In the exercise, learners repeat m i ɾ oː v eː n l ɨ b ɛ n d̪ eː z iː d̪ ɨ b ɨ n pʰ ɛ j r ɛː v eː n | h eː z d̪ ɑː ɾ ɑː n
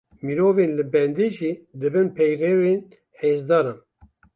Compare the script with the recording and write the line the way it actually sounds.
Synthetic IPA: m i ɾ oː v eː n l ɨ b ɛ n d̪ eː ʒ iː d̪ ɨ b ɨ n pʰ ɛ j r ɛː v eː n | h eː z d̪ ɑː ɾ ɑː n